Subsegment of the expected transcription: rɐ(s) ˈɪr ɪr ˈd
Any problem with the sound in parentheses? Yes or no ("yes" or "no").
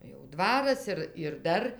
no